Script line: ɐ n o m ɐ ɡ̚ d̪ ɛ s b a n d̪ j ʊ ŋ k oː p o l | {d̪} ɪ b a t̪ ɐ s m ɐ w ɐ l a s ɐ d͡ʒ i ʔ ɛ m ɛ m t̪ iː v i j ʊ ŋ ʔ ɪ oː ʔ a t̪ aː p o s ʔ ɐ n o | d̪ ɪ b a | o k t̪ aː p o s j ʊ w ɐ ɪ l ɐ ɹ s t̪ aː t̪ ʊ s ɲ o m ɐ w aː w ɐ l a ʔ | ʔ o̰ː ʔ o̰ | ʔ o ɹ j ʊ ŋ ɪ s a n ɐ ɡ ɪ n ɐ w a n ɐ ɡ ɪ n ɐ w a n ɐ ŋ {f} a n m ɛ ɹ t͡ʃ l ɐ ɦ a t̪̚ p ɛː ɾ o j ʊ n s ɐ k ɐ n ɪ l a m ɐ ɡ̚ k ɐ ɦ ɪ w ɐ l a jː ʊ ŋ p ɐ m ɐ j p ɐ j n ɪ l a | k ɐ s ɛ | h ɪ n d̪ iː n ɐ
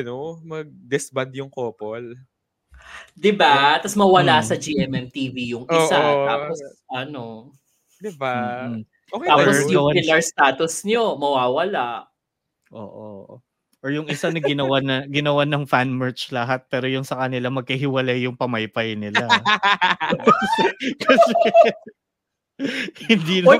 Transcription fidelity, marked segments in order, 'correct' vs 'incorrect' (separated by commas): correct, correct